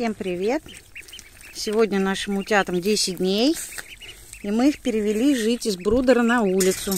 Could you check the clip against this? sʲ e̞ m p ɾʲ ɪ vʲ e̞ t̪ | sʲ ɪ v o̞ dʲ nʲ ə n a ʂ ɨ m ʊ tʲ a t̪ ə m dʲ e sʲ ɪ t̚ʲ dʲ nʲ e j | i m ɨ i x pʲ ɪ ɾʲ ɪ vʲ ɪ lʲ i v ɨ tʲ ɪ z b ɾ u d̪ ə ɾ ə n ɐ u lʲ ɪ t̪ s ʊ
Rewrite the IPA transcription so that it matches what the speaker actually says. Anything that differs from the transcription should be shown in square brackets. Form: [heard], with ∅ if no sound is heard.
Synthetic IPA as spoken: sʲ e̞ m p ɾʲ ɪ vʲ e̞ t̪ | sʲ ɪ v o̞ dʲ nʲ ə n a ʂ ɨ m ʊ tʲ a t̪ ə m dʲ e sʲ ɪ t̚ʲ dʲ nʲ e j | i m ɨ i x pʲ ɪ ɾʲ ɪ vʲ ɪ lʲ i [ʐ] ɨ tʲ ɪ z b ɾ u d̪ ə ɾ ə n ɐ u lʲ ɪ t̪ s ʊ